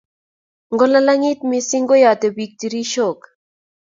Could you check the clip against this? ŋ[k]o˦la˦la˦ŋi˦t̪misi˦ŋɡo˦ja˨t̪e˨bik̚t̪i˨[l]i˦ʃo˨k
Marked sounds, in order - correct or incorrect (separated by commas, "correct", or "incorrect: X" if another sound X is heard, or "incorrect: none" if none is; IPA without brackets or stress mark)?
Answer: incorrect: ɡ, incorrect: ɾ